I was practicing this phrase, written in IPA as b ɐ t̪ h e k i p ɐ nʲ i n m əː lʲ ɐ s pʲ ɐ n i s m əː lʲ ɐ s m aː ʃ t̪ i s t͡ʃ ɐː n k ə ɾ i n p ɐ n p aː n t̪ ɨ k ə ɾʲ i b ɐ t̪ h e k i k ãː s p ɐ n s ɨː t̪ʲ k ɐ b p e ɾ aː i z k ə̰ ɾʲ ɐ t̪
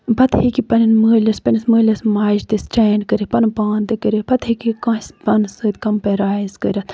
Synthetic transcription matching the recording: b ɐ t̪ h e k i p ɐ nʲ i n m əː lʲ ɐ s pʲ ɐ n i s m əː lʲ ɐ s m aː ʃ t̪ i s t͡ʃ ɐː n k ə ɾ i p ɐ n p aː n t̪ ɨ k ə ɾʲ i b ɐ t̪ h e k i k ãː s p ɐ n s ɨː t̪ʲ k ɐ m p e ɾ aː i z k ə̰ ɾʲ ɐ t̪